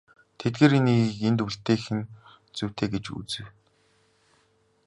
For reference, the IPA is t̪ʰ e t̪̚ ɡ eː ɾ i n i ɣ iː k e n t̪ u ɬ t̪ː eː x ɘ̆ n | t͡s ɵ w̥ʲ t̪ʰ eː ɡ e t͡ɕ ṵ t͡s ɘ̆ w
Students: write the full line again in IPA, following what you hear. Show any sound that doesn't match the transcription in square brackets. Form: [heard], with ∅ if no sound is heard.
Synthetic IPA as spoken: t̪ʰ e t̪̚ ɡ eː ɾ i n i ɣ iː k e n t̪ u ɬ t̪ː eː x ɘ̆ n | t͡s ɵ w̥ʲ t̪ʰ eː ɡ e t͡ɕ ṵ t͡s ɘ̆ w